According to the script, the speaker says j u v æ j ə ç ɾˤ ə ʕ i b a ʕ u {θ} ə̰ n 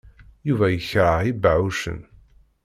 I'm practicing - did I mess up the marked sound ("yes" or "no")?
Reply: yes